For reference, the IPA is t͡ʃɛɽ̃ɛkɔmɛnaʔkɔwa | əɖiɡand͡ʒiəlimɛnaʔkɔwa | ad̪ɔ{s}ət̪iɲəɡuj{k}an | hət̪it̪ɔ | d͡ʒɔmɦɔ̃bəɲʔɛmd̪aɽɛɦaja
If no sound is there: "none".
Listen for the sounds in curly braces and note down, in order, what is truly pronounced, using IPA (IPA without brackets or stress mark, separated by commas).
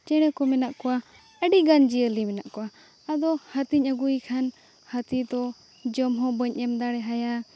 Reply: h, kʰ